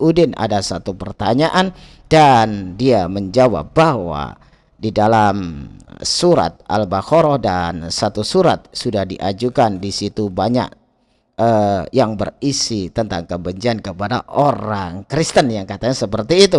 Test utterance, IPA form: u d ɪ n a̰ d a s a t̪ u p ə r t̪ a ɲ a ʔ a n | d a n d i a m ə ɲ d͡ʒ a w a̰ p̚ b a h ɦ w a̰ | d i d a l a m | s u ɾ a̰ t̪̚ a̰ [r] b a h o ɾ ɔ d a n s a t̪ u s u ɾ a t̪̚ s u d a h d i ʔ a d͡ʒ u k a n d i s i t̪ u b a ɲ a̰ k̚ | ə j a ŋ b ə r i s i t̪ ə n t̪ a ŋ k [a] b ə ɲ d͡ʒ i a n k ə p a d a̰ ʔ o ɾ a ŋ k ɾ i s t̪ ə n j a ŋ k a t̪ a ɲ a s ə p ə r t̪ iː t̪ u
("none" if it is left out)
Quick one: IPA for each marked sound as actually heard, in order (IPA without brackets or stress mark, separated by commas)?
l, ə